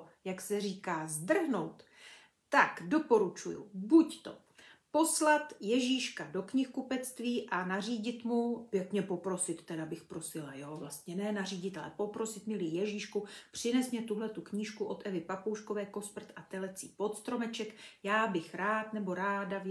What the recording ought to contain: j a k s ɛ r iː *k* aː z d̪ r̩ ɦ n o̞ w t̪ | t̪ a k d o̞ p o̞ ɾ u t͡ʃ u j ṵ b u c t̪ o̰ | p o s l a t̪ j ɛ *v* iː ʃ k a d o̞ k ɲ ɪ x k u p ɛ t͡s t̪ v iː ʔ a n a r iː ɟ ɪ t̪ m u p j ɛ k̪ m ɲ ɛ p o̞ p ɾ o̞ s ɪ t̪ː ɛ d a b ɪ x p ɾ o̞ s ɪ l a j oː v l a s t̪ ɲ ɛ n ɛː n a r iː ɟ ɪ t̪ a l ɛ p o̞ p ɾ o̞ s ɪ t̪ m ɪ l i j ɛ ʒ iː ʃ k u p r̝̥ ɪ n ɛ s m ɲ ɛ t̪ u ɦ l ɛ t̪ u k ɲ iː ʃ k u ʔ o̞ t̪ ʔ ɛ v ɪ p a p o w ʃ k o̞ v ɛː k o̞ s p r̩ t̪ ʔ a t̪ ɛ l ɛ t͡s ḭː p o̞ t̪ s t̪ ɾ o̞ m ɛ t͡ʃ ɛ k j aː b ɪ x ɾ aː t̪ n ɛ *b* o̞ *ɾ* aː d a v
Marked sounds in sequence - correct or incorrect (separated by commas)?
correct, incorrect, correct, correct